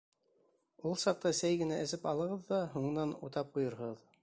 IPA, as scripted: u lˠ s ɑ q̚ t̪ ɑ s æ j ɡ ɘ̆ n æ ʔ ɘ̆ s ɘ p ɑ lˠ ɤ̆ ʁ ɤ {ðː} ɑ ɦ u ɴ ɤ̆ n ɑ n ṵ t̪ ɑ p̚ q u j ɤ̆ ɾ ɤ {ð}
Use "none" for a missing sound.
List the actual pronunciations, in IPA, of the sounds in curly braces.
ðː, ð

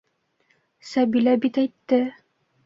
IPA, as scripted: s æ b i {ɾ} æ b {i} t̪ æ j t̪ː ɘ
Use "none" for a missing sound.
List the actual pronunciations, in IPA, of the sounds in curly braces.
l, i

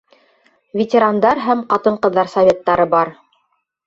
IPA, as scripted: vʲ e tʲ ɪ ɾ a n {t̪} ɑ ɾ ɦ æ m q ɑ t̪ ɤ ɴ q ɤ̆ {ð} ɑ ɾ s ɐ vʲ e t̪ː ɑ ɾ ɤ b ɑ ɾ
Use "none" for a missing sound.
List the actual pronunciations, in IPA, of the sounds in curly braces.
d̪, ðː

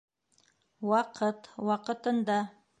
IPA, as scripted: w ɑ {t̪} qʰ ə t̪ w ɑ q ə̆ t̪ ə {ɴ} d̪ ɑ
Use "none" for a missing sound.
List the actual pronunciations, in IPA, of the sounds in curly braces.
none, n

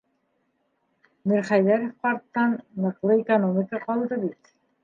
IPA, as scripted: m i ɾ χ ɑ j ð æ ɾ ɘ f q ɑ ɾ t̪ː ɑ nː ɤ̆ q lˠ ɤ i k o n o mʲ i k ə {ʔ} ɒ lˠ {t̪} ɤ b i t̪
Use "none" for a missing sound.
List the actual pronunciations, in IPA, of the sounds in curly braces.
q, d̪

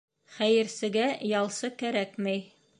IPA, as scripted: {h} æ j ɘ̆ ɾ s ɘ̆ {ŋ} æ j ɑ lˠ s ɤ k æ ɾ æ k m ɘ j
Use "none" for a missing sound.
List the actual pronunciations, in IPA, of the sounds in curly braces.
χ, ɡ

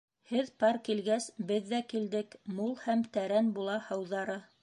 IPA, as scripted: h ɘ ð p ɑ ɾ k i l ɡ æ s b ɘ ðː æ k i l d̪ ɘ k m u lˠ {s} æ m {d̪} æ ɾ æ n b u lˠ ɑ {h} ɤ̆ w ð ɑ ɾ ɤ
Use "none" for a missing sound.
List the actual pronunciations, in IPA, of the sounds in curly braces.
h, t̪, h

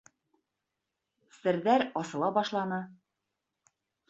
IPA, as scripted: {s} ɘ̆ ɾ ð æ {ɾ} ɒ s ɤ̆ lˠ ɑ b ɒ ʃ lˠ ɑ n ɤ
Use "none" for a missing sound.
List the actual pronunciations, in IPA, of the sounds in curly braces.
s, ɾ

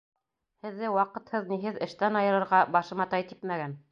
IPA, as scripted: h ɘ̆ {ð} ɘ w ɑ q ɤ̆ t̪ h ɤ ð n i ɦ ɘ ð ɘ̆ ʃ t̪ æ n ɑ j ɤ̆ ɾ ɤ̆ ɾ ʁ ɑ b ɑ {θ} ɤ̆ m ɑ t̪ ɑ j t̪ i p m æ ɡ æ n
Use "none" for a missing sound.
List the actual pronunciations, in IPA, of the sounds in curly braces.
ðː, ʃ

